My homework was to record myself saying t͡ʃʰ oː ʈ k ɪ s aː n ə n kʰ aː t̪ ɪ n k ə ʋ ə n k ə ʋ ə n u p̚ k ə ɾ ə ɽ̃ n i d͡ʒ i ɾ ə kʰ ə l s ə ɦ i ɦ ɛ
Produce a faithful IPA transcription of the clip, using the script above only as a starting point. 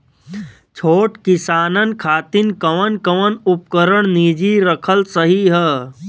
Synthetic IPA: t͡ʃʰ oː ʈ k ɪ s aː n ə n kʰ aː t̪ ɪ n k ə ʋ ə n k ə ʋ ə n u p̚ k ə ɾ ə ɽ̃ n i d͡ʒ i ɾ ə kʰ ə l s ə ɦ i ɦ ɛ